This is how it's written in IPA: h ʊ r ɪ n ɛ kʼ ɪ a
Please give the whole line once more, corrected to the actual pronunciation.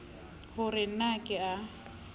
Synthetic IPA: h ʊ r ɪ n a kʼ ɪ a